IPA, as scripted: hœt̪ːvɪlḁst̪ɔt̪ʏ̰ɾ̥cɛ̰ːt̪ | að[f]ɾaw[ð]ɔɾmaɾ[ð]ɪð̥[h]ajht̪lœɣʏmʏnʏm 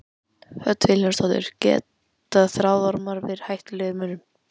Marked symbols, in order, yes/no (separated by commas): no, yes, no, yes